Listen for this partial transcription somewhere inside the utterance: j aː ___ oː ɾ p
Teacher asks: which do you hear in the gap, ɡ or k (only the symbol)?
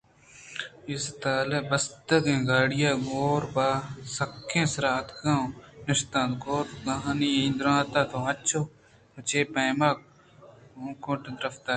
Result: ɡ